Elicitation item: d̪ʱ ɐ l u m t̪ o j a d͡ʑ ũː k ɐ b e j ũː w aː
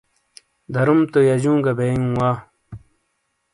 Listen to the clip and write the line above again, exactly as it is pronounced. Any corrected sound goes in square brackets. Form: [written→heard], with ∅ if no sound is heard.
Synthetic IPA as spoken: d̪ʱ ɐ [l→ɾ] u m t̪ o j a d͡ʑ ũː [k→ɡ] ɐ b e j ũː w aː